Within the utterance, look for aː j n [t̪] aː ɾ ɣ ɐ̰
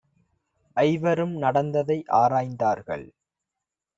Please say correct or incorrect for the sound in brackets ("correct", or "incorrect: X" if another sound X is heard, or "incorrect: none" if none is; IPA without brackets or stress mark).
incorrect: d̪